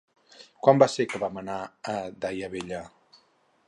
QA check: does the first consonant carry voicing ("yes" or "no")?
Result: no